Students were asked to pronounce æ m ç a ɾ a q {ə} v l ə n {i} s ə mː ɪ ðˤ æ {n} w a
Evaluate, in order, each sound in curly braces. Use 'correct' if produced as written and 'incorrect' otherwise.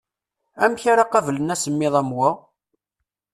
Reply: incorrect, incorrect, incorrect

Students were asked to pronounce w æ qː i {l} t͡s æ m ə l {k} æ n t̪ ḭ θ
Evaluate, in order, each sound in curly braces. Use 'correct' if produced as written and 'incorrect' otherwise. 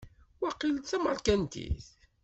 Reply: correct, correct

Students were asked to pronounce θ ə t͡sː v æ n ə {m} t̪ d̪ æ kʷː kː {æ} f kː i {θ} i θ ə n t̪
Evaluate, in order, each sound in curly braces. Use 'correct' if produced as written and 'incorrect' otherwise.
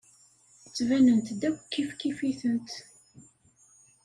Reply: incorrect, incorrect, incorrect

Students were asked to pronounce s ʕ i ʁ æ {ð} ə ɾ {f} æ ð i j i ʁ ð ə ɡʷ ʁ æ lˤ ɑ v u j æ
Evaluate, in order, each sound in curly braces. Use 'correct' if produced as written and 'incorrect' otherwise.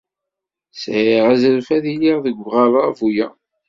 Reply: incorrect, correct

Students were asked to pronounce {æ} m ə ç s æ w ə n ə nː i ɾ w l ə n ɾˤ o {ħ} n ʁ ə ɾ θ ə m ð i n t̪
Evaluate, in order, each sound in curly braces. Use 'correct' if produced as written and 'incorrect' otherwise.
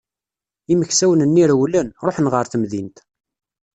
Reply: incorrect, correct

